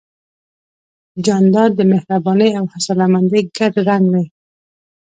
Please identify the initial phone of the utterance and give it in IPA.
d͡ʒ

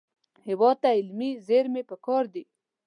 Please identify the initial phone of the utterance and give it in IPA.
h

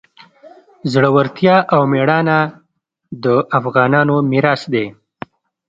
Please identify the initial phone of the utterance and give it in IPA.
z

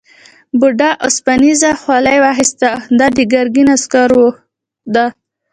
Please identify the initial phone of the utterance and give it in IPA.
b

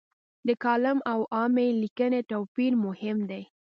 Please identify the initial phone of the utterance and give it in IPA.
d̪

